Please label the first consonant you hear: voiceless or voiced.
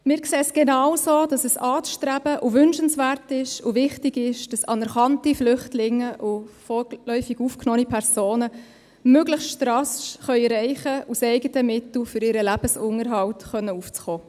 voiced